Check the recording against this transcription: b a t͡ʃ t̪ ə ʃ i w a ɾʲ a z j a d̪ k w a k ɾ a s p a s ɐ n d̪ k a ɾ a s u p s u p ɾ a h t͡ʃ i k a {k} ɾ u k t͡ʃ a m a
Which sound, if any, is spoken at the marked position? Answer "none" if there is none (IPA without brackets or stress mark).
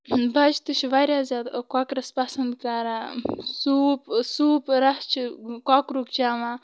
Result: k